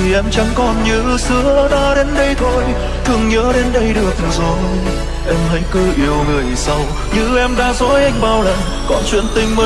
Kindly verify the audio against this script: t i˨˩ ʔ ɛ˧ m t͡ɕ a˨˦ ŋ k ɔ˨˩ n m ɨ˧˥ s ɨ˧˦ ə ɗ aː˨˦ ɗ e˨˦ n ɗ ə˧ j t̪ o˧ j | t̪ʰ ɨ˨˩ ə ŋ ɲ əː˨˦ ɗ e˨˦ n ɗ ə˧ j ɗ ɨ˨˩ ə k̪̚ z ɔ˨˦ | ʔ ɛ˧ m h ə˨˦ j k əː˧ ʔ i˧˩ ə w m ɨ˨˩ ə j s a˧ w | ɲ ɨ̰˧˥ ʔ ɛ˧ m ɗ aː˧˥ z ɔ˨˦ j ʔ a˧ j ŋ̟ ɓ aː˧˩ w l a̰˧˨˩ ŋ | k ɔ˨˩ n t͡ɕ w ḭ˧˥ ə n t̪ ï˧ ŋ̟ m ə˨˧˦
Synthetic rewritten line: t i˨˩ ʔ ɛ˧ m t͡ɕ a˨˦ ŋ k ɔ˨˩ n ɲ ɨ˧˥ s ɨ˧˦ ə ɗ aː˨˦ ɗ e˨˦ n ɗ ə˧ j t̪ʰ o˧ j | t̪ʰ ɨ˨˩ ə ŋ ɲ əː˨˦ ɗ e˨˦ n ɗ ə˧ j ɗ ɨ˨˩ ə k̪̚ z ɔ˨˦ | ʔ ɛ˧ m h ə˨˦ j k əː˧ ʔ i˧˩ ə w ŋ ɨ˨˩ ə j s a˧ w | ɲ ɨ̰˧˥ ʔ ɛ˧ m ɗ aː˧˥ z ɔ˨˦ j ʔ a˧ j ŋ̟ ɓ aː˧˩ w l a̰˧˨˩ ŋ | k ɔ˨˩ n t͡ɕ w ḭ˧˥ ə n t̪ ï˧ ŋ̟ m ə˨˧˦